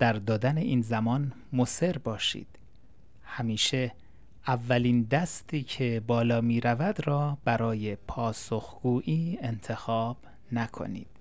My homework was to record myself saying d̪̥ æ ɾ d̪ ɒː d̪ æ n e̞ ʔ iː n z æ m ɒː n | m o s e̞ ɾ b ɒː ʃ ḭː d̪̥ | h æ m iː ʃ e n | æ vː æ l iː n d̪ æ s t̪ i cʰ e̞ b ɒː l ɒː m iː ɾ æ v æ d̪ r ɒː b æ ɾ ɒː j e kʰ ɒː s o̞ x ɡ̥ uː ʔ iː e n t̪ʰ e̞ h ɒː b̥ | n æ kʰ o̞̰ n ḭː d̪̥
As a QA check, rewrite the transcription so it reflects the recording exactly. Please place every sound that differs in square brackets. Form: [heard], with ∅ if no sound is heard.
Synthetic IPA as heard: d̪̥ æ ɾ d̪ ɒː d̪ æ n e̞ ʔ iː n z æ m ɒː n | m o s e̞ ɾ b ɒː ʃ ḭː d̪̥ | h æ m iː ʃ e [∅] | æ vː æ l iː n d̪ æ s t̪ [iː] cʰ e̞ b ɒː l ɒː m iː ɾ æ v æ d̪ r ɒː b æ ɾ ɒː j e [pʰ] ɒː s o̞ x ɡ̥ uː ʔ iː e n t̪ʰ e̞ [x] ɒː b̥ | n æ kʰ o̞̰ n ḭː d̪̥